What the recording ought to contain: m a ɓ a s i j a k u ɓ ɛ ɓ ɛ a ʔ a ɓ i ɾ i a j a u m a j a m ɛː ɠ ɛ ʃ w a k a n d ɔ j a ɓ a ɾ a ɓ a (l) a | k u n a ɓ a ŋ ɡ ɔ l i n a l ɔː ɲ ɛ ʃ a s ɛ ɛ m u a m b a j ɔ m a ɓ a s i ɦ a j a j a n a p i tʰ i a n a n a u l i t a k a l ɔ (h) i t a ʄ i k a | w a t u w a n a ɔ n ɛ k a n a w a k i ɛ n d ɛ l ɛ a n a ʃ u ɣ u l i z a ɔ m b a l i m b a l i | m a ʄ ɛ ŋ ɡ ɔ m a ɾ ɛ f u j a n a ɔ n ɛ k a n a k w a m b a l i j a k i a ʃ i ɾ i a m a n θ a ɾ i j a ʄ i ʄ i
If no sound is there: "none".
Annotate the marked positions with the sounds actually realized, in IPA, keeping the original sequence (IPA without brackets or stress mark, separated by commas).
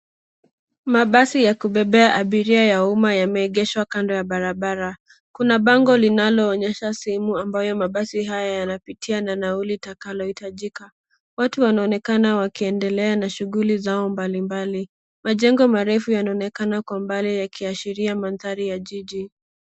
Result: ɾ, h